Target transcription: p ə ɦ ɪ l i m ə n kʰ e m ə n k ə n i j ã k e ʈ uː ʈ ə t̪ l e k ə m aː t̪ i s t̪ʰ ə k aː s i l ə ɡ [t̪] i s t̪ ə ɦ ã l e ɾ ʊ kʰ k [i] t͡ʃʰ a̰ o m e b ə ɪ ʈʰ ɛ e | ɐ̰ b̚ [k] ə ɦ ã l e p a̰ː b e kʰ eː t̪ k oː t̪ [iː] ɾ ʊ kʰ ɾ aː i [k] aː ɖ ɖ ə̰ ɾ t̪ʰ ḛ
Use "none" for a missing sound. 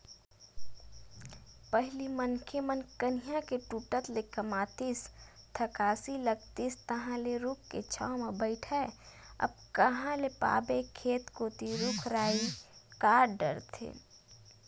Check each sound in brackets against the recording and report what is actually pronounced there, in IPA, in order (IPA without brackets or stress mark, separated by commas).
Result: t̪, e, k, i, k